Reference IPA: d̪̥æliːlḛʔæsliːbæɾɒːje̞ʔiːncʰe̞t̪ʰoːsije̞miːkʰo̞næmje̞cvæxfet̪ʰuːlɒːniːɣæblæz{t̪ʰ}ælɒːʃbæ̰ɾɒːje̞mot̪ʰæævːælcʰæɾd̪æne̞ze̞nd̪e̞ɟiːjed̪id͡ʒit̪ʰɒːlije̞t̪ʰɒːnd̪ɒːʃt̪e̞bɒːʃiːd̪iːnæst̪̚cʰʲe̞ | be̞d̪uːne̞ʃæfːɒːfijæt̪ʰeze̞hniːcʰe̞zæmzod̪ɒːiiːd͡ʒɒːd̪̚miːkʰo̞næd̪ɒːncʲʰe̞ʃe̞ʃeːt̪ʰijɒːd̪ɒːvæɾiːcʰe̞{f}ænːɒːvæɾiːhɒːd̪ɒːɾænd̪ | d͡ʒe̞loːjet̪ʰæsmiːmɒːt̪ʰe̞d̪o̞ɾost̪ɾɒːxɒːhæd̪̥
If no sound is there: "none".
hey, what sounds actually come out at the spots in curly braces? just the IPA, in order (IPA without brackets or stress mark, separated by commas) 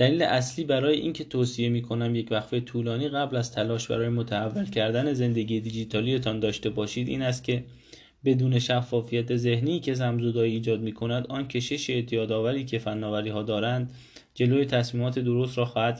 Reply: t̪ʰ, f